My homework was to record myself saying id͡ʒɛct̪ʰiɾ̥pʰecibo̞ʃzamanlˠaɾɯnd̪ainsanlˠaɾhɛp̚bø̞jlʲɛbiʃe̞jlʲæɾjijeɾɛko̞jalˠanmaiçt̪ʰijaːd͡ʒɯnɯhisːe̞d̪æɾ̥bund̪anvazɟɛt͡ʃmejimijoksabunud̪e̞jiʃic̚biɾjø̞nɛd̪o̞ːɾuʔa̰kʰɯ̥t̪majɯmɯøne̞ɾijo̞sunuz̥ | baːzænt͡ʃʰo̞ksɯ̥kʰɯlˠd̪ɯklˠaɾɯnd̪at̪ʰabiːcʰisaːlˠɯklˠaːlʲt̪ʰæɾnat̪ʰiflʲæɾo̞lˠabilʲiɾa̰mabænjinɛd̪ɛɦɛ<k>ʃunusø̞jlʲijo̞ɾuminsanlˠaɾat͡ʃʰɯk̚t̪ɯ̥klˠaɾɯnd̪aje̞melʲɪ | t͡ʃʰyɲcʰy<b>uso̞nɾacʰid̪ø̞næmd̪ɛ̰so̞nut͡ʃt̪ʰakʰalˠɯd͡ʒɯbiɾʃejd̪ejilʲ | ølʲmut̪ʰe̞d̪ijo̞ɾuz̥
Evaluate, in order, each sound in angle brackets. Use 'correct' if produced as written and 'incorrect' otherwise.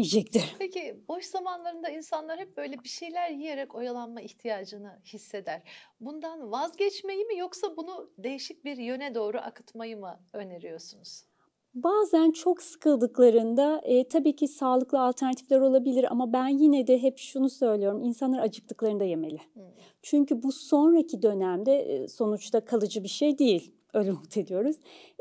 incorrect: p, correct

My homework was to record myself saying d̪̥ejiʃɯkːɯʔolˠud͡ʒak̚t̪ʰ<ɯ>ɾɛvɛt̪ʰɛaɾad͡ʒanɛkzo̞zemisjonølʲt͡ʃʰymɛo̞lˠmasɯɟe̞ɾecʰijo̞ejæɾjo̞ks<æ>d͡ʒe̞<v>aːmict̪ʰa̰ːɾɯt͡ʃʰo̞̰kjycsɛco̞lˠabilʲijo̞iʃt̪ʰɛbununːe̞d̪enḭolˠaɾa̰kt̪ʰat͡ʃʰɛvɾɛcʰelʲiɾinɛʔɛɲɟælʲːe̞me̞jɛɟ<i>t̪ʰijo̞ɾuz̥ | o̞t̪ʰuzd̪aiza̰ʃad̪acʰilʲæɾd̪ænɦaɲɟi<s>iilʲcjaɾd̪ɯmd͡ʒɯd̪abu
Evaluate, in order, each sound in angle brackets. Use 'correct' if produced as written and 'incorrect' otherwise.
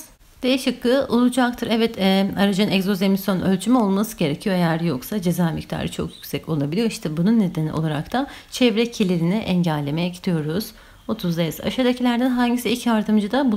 correct, incorrect: a, incorrect: z, correct, correct

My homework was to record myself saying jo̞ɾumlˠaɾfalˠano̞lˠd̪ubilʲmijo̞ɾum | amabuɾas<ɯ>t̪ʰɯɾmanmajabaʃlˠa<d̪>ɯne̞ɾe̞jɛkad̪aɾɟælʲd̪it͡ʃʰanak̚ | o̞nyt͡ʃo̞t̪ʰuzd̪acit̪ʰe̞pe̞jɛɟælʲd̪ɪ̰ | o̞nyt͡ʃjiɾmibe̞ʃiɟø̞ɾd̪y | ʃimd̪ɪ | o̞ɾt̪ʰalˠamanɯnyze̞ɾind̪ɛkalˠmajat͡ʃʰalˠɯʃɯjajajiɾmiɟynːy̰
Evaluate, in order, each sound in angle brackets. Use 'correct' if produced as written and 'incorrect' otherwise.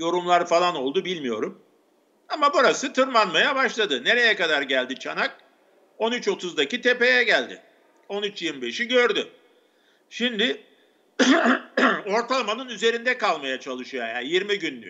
correct, correct

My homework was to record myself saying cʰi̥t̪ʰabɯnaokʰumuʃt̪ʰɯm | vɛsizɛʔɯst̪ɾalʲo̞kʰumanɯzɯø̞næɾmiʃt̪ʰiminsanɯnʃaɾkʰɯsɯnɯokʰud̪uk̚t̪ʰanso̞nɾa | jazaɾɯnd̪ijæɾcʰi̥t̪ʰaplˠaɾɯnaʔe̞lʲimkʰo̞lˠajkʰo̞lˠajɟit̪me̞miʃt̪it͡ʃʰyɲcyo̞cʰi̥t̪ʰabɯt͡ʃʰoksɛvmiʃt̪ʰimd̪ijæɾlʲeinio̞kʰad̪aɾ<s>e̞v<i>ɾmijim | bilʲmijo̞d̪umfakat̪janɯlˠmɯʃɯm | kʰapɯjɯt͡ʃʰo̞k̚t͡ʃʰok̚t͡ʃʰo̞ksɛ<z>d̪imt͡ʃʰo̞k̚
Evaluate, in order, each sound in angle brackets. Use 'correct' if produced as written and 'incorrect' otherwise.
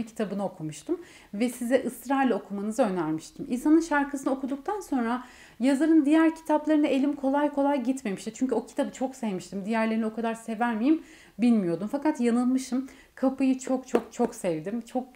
correct, incorrect: æ, incorrect: v

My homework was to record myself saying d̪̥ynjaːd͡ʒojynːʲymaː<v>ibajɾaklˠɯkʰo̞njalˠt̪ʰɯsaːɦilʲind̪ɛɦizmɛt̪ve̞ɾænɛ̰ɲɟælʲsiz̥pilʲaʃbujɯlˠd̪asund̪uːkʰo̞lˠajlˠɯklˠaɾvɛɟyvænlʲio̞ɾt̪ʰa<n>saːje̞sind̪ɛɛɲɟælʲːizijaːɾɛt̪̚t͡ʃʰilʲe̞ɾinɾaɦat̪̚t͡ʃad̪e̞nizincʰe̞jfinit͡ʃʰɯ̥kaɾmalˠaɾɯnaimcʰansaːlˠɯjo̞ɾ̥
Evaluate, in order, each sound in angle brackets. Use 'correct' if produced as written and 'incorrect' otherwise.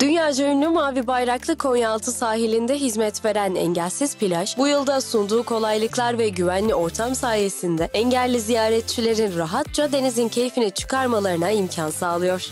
correct, incorrect: m

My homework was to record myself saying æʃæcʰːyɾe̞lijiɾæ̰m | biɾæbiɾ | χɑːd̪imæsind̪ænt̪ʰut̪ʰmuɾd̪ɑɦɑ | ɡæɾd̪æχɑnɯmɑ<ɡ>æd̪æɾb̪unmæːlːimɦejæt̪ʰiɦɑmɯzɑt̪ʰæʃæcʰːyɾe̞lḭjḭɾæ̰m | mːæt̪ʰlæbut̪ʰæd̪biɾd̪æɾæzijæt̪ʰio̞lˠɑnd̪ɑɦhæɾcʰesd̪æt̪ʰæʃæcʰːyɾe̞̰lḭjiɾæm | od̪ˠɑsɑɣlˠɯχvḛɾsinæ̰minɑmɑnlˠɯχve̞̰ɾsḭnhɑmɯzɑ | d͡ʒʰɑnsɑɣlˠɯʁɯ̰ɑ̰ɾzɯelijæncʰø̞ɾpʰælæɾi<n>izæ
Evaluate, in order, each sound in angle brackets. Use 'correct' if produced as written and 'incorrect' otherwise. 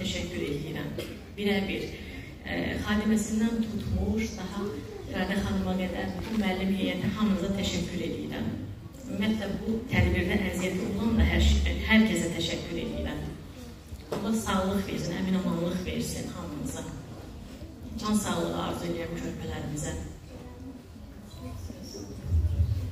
correct, incorrect: m

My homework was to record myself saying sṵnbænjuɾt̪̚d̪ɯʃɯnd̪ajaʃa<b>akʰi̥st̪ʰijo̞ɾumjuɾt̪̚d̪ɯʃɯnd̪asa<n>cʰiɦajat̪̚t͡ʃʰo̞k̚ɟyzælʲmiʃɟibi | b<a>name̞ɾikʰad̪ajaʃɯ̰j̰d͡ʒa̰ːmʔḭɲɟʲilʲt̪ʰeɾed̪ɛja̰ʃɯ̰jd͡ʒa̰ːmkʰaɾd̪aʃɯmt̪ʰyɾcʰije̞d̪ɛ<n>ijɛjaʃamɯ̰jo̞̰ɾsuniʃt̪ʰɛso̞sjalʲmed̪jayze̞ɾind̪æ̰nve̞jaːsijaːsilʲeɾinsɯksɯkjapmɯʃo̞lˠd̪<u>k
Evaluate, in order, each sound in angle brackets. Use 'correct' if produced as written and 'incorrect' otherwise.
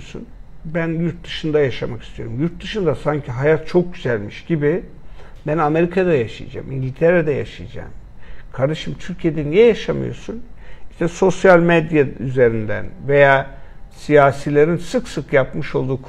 incorrect: m, incorrect: ɲ, incorrect: æ, correct, incorrect: uː

